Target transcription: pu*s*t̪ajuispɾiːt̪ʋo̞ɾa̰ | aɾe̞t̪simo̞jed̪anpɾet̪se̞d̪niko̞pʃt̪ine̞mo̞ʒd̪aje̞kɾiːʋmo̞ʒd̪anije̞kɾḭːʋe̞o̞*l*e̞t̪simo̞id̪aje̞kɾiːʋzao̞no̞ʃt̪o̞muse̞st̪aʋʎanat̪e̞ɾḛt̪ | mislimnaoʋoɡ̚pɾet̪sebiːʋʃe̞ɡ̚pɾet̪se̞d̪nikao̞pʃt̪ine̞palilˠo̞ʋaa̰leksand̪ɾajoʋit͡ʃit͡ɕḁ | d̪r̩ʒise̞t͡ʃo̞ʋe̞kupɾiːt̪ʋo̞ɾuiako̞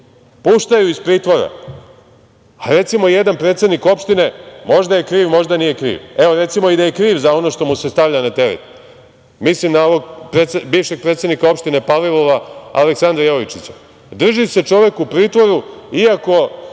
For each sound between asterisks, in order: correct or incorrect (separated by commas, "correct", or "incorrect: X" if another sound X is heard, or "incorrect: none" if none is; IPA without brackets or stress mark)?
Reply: incorrect: ʃ, incorrect: ɾ